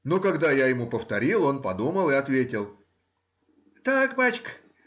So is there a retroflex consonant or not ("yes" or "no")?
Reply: no